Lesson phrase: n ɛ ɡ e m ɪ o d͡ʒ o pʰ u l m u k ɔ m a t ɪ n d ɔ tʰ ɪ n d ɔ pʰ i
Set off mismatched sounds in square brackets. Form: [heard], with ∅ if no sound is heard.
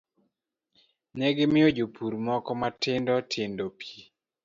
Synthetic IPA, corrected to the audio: n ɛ ɡ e m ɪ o d͡ʒ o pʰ u [ɾ] m [ɔ] k ɔ m a t ɪ n d ɔ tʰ ɪ n d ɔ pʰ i